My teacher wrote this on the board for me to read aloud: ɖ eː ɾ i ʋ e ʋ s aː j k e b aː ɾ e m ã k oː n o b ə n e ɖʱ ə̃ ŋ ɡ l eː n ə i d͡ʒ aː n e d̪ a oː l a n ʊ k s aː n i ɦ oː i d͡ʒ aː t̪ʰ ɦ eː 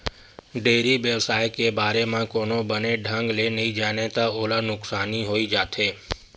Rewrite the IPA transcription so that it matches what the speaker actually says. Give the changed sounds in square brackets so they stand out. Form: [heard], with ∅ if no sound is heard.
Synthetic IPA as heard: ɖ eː ɾ i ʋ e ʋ s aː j k e b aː ɾ e m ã k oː n o b ə n e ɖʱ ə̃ ŋ ɡ l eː n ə i d͡ʒ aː n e [t̪] a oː l a n ʊ k s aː n i ɦ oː i d͡ʒ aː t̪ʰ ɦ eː